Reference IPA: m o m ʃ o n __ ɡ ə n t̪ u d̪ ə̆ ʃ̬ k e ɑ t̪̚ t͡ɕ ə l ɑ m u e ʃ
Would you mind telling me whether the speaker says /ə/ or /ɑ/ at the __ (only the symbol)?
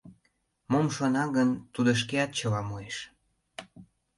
ɑ